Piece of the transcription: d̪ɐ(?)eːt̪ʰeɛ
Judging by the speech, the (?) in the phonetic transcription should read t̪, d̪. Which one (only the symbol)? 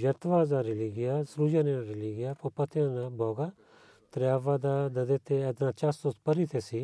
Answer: d̪